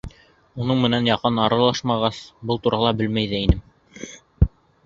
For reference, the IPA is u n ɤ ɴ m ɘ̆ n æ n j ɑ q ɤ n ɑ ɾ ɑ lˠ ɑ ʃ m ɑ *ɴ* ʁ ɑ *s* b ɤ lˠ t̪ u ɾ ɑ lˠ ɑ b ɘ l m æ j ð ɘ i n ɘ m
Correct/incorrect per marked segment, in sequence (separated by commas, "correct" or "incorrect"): incorrect, correct